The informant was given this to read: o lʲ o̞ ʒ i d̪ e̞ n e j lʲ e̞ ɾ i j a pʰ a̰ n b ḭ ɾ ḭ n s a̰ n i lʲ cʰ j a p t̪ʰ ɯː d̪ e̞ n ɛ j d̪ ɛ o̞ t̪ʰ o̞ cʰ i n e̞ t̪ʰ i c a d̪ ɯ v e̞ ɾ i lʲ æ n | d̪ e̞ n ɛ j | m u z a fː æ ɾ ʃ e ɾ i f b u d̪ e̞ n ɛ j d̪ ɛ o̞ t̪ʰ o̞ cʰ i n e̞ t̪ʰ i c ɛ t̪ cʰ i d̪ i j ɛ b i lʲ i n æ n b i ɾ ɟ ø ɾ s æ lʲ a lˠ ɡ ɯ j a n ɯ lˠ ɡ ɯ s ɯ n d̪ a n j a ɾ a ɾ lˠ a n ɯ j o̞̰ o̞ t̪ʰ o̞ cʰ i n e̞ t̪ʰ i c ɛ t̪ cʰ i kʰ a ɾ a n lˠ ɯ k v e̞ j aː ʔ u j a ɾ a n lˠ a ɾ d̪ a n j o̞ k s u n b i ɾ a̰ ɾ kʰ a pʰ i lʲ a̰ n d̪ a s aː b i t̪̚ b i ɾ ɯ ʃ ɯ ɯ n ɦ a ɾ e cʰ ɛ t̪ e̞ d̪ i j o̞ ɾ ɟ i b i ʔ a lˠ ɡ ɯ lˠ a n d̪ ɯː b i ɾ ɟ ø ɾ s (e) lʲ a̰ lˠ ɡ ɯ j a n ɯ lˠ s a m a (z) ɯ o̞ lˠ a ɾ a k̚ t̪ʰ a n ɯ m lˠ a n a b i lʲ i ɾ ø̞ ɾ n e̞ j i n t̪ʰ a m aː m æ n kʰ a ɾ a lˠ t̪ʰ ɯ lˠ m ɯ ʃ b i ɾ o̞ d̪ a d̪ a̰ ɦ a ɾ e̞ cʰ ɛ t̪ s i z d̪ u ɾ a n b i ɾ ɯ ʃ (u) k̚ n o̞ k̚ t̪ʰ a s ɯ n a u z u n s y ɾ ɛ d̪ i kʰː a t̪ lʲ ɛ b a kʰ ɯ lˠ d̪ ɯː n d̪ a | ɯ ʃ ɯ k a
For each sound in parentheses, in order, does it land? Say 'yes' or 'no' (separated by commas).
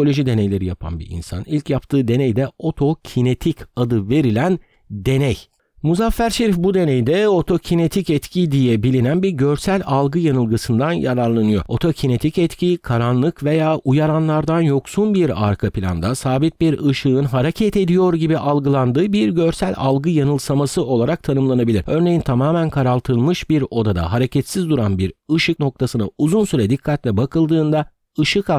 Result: no, no, no